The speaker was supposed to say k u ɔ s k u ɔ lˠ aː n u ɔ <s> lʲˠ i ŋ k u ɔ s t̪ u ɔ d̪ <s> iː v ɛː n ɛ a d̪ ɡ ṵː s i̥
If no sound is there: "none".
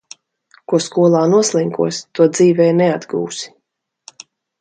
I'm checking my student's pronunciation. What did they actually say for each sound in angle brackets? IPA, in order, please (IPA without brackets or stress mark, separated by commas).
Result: s, z